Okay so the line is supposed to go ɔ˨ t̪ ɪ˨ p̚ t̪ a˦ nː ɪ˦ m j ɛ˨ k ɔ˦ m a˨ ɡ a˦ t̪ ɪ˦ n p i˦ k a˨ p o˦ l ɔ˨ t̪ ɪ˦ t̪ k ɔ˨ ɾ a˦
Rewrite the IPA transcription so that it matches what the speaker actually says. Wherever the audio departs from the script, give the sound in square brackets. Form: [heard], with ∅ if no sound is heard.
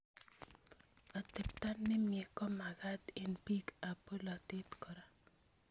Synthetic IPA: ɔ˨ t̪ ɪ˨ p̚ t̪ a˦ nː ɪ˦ m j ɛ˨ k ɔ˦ m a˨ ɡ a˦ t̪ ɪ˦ n p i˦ k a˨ p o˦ l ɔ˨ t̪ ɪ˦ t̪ k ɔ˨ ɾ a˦